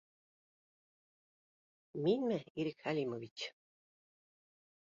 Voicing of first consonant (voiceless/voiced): voiced